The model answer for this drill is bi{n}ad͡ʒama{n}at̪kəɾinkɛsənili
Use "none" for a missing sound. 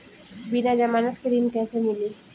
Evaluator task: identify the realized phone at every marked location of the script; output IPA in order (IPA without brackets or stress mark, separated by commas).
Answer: n, n